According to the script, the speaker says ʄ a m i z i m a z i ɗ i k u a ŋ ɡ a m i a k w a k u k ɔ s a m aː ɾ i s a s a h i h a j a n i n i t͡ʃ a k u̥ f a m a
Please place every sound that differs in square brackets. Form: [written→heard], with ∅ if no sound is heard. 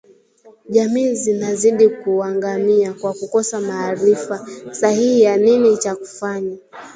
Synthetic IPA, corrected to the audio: ʄ a m [i→iː] z i [m→n] a z i ɗ i k u a ŋ ɡ a m i a k w a k u k ɔ s a m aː ɾ i [s→f] a s a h i h [a→i] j a n i n i t͡ʃ a k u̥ f a [m→ɲ] a